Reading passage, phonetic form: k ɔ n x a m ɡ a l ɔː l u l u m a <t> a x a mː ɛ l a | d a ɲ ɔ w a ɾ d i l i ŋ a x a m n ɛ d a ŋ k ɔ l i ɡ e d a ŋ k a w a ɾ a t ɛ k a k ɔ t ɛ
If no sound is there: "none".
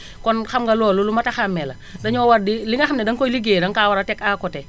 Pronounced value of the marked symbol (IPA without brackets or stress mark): t